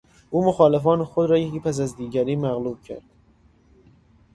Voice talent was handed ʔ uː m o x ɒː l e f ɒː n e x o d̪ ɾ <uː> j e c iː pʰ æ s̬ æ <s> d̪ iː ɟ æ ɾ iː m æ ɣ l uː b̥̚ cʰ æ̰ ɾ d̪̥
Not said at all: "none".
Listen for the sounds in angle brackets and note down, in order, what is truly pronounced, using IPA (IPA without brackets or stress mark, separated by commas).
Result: ɒː, z